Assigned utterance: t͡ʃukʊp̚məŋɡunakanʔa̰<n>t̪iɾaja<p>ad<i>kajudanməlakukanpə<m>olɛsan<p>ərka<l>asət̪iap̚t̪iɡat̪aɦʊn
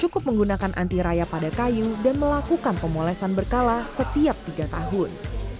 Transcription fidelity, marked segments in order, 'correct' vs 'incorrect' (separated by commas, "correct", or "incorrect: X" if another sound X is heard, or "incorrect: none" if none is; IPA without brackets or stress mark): correct, correct, incorrect: a, correct, incorrect: b, correct